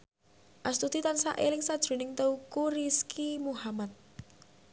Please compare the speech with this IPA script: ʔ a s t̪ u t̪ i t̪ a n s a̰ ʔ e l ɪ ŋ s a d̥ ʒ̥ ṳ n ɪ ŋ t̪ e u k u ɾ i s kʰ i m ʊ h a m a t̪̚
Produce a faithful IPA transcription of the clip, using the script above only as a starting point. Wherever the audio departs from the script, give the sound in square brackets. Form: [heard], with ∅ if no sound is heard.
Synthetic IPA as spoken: ʔ a s t̪ u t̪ i t̪ a n s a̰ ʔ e l ɪ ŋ s a d̥ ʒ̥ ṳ n ɪ ŋ t̪ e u k u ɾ i s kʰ i m [u] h a m a t̪̚